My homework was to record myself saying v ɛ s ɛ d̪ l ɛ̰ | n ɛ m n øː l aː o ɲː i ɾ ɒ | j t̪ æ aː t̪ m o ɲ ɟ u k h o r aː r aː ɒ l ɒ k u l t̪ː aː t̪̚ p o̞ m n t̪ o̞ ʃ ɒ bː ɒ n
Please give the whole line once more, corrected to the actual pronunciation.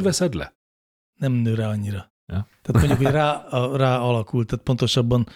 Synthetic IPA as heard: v ɛ s ɛ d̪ l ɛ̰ | n ɛ m n øː ɾ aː ɒ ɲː i ɾ ɒ | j t̪ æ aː t̪ m o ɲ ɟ u k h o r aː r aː ɒ l ɒ k u l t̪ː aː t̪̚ p o̞ n t̪ o̞ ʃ ɒ bː ɒ n